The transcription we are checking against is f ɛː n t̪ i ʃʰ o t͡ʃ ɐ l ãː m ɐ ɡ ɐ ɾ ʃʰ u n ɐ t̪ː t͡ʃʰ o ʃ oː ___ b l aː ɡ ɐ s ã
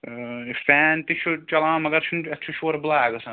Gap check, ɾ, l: ɾ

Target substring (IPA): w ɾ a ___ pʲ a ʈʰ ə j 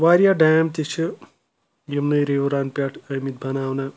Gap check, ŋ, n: n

